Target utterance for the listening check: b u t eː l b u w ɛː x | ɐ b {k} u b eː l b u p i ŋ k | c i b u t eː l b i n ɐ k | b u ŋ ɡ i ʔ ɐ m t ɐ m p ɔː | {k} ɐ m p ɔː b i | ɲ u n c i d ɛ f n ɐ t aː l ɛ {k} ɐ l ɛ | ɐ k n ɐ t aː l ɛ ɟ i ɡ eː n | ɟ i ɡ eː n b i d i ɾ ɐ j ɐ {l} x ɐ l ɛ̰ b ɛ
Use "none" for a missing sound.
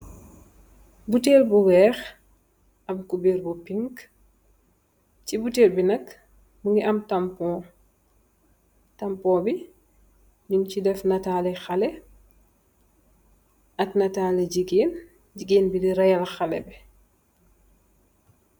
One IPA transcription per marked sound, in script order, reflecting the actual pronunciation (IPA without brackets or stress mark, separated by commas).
k, t, x, l